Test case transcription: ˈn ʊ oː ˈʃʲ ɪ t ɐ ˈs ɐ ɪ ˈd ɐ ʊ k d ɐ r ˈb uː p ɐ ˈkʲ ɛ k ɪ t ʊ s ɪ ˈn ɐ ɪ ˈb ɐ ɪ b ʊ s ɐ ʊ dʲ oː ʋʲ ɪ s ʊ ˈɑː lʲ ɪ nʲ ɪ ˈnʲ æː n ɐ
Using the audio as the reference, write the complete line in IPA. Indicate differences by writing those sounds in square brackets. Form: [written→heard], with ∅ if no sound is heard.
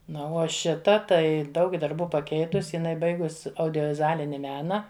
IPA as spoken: ˈn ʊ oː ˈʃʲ ɪ t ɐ [ˈs→ˈt] ɐ ɪ ˈd ɐ ʊ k d ɐ r ˈb uː p ɐ ˈkʲ ɛ [k→∅] ɪ t ʊ s ɪ ˈn ɐ ɪ ˈb ɐ ɪ [b→ɡ] ʊ s ɐ ʊ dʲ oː ʋʲ ɪ [s→z] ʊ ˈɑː lʲ ɪ nʲ ɪ [ˈnʲ→ˈmʲ] æː n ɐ